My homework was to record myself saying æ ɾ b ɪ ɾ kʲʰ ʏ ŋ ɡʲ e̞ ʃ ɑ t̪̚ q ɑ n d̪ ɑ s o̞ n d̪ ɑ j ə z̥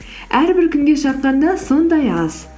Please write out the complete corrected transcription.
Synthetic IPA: æ ɾ b ɪ ɾ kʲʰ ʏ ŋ ɡʲ e̞ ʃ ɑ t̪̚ q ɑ n d̪ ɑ s o̞ n d̪ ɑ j ɑ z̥